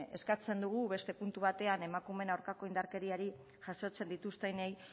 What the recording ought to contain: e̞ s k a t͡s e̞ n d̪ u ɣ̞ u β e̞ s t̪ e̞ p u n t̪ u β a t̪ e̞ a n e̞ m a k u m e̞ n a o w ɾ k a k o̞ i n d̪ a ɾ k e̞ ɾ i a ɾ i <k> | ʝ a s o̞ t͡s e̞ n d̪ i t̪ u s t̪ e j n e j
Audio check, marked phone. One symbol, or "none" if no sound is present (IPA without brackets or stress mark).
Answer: none